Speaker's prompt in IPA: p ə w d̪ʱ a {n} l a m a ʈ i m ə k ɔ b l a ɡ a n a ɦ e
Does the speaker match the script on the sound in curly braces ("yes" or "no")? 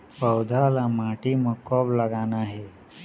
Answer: no